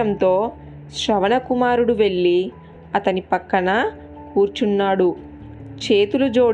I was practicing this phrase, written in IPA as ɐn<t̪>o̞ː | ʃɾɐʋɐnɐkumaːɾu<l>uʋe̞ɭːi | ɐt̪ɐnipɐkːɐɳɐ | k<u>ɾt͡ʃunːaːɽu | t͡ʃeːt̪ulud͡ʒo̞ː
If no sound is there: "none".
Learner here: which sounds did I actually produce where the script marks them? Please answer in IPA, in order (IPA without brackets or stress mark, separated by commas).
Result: t̪, ɽ, uː